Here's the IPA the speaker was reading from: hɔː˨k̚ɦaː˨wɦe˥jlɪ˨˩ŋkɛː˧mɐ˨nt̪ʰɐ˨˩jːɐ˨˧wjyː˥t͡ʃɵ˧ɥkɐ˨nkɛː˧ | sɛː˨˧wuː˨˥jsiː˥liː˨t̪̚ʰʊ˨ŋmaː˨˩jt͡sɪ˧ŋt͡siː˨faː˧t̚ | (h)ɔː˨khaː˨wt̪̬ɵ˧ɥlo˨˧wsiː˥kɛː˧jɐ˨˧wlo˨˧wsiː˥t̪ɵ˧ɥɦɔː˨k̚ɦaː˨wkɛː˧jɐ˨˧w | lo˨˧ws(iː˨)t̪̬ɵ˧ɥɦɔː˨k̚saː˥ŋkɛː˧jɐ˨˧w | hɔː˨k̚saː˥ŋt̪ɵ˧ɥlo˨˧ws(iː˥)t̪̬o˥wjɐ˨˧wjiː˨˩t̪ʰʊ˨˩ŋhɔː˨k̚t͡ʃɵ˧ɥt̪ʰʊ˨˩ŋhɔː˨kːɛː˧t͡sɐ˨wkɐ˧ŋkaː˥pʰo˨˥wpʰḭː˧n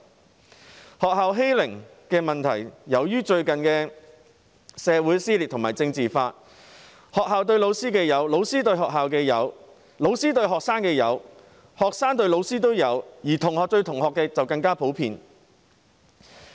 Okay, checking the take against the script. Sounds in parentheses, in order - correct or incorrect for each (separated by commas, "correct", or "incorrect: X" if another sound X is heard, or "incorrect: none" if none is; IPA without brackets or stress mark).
correct, incorrect: iː˥, correct